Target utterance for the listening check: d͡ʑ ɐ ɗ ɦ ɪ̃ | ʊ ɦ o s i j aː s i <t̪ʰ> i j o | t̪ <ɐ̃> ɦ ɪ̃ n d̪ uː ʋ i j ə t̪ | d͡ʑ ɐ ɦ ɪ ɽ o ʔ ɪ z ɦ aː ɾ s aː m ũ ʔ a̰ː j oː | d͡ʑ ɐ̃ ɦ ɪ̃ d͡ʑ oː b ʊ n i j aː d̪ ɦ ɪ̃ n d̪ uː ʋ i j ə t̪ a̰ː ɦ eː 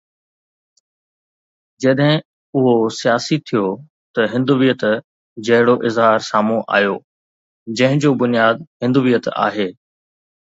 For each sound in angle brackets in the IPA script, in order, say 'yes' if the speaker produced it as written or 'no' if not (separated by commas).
yes, no